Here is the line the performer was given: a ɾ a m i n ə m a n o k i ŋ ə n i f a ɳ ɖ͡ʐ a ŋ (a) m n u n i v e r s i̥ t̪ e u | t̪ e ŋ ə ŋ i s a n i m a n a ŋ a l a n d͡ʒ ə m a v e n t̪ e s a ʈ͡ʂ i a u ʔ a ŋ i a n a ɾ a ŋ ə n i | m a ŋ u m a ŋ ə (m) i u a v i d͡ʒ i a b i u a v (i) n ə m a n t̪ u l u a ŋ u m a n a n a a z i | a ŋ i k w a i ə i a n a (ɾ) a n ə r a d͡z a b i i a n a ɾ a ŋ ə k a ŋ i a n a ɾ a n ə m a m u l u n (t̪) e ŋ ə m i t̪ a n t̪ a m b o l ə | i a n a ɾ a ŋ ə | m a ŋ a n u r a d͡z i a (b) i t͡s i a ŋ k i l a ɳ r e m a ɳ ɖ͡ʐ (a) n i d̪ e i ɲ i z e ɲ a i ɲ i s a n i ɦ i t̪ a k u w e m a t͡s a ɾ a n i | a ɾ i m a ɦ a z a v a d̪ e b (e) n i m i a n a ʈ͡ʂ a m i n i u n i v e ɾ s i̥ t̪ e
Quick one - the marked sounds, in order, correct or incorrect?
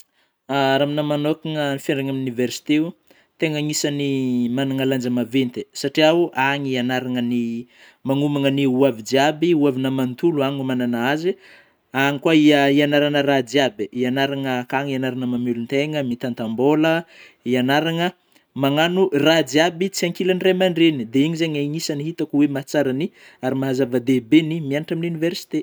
correct, incorrect: n, correct, correct, correct, correct, incorrect: e, correct

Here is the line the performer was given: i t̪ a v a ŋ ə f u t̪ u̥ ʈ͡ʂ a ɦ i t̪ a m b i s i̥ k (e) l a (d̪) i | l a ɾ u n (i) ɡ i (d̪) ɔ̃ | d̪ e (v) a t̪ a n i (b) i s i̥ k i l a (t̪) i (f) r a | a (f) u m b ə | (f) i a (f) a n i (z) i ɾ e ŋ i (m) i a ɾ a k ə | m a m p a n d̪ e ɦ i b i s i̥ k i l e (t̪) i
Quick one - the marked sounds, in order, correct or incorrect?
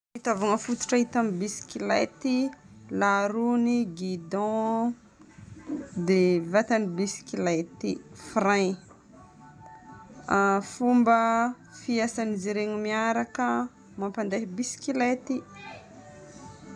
incorrect: i, incorrect: t̪, correct, correct, correct, correct, correct, correct, correct, correct, incorrect: s, correct, correct, correct

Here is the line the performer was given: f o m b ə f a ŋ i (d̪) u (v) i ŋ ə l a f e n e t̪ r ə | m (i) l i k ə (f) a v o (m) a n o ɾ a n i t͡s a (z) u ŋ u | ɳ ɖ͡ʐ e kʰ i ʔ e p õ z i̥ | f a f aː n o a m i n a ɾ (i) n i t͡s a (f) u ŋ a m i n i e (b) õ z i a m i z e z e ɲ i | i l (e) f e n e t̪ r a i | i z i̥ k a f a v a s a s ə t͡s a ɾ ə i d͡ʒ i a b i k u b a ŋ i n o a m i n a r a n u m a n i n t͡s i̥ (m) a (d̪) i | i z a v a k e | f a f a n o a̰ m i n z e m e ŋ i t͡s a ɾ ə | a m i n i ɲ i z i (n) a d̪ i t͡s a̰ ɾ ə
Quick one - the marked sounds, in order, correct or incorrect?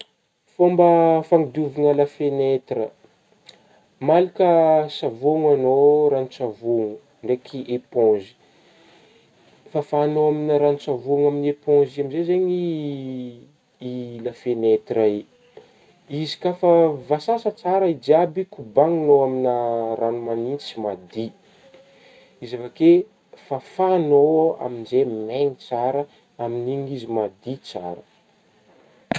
correct, correct, incorrect: a, incorrect: s, incorrect: ŋ, incorrect: v, incorrect: a, incorrect: v, incorrect: p, incorrect: a, correct, correct, incorrect: m

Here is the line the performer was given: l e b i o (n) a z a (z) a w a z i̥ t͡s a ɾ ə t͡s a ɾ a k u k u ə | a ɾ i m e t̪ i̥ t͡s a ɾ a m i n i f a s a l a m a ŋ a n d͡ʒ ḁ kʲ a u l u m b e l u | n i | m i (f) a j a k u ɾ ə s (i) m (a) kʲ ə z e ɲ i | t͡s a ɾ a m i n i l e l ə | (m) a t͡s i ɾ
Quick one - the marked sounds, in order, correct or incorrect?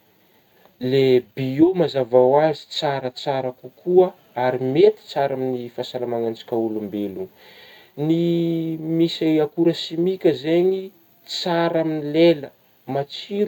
incorrect: m, incorrect: v, incorrect: s, correct, incorrect: i, correct

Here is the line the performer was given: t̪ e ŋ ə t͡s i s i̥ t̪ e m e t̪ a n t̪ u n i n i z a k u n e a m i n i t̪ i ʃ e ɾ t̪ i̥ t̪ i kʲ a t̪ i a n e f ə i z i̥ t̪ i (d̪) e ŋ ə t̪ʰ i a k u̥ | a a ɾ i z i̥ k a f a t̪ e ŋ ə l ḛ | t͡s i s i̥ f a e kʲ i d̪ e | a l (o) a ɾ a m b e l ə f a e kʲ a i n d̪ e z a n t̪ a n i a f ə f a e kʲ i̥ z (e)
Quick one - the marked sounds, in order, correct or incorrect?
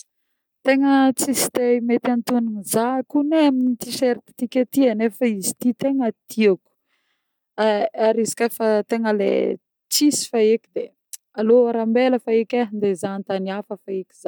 incorrect: t̪, correct, incorrect: a

